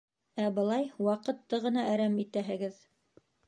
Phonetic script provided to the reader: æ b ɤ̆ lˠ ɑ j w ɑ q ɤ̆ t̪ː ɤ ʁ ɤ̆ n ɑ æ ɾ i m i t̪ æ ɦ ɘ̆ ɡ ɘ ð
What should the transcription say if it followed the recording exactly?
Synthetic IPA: æ b ɤ̆ lˠ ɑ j w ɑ q ɤ̆ t̪ː ɤ ʁ ɤ̆ n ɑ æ ɾ æ m i t̪ æ ɦ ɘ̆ ɡ ɘ ð